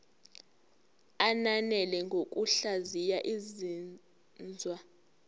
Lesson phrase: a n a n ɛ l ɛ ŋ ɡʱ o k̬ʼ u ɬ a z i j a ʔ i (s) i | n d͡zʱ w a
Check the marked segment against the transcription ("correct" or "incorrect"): incorrect